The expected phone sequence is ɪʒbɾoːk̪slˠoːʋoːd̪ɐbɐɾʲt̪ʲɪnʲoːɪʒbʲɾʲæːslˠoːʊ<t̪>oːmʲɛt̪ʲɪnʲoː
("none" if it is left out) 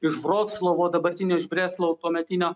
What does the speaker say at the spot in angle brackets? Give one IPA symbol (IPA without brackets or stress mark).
t̪